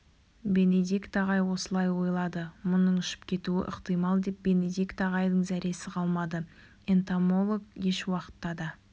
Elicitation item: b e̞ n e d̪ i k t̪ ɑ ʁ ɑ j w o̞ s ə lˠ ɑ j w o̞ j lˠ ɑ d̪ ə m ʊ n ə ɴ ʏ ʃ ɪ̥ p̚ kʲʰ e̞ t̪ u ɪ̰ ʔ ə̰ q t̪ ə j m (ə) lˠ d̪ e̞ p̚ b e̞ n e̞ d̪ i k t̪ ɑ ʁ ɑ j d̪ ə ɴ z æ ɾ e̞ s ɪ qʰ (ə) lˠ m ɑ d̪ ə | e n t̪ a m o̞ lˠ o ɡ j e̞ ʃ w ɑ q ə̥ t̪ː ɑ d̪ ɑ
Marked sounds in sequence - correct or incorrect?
incorrect: ɑ, incorrect: ɑ

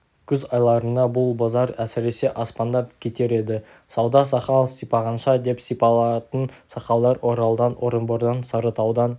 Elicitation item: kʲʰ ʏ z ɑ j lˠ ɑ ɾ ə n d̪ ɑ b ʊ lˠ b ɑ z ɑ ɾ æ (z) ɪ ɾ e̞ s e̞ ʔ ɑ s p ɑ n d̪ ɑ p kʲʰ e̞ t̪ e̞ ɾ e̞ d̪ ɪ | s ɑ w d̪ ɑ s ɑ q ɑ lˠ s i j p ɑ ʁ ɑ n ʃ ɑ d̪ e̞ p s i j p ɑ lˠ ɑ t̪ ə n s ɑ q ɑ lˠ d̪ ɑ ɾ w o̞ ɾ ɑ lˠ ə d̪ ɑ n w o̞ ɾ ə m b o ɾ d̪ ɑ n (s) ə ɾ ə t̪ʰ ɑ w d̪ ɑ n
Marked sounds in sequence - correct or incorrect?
incorrect: s, correct

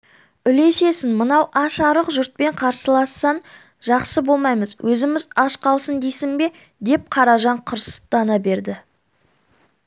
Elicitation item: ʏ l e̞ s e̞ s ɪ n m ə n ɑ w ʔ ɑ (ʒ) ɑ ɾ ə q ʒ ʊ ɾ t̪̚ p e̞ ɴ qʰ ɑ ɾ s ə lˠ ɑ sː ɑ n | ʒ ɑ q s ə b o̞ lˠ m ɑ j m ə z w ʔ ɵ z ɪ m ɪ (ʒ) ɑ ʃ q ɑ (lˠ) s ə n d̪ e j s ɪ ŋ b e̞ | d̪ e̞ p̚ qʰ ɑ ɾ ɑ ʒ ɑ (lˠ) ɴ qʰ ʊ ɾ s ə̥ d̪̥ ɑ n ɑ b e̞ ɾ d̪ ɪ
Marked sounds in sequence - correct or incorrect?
incorrect: ʃ, incorrect: z, correct, incorrect: none

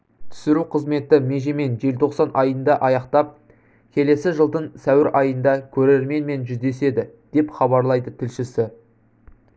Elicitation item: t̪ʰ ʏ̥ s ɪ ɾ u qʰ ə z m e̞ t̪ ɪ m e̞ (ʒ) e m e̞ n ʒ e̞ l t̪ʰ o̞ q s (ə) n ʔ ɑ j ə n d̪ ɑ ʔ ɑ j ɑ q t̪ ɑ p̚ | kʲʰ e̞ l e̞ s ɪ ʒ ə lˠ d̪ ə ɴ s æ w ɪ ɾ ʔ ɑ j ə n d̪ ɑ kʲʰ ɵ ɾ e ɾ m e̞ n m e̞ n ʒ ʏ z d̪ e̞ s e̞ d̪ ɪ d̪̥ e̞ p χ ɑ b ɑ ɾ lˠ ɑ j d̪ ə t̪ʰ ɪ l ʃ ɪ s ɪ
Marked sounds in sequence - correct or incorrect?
correct, incorrect: ɑ

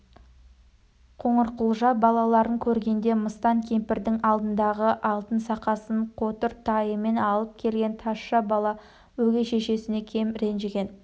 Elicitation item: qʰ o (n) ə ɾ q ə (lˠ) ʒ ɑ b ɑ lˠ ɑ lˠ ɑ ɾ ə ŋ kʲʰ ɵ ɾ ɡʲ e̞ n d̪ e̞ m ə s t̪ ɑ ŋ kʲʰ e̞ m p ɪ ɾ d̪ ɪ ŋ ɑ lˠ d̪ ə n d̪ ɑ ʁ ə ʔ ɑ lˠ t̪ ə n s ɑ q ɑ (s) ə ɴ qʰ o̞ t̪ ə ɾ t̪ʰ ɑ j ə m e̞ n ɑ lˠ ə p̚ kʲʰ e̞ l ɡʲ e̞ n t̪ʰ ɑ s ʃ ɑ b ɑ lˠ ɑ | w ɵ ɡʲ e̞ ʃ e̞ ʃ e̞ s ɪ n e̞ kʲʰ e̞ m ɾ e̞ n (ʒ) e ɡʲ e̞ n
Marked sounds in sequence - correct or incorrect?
incorrect: ɴ, correct, correct, correct

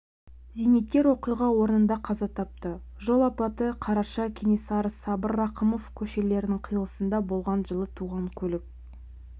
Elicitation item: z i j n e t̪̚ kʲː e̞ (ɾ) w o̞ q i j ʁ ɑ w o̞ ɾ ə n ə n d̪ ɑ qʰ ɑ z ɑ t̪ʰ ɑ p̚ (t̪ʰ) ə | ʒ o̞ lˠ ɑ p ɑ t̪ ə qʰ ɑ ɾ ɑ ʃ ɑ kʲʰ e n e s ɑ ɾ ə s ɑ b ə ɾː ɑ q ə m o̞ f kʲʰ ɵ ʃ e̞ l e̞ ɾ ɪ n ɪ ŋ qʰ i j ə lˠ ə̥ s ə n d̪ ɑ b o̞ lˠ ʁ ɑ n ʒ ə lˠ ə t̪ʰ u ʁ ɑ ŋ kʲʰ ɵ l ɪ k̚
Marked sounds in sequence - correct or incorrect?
correct, incorrect: t̪

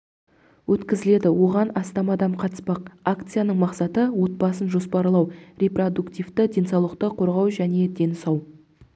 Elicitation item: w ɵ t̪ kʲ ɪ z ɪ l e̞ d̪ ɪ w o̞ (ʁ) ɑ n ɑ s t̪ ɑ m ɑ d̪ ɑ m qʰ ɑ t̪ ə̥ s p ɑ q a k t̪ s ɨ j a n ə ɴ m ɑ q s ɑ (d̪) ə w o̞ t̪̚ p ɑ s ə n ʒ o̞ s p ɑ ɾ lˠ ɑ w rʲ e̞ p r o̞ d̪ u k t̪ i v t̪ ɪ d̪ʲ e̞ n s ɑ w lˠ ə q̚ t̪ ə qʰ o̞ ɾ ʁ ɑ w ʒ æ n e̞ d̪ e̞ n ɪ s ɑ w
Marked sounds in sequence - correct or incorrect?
correct, incorrect: t̪

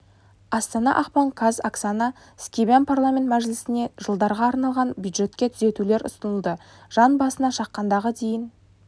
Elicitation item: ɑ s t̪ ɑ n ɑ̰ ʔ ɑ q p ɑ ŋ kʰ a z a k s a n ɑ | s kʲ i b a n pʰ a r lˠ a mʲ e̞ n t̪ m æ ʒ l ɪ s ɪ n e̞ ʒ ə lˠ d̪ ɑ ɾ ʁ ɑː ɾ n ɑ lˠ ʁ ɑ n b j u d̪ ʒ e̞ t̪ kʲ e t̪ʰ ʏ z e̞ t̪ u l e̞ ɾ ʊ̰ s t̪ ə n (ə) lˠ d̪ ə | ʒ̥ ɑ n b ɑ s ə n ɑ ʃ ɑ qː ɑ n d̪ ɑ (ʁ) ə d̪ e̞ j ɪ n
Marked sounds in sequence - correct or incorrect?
correct, correct

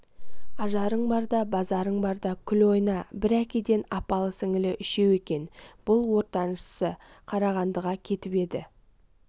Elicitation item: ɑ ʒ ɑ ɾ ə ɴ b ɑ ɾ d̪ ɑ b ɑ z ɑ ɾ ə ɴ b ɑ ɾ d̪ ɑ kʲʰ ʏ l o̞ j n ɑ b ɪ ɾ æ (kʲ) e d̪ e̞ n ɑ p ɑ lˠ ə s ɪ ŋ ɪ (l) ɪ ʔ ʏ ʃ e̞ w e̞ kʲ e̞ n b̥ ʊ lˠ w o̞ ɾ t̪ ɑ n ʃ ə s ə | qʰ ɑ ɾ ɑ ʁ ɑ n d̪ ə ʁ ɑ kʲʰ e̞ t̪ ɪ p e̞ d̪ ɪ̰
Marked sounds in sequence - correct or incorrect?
correct, correct

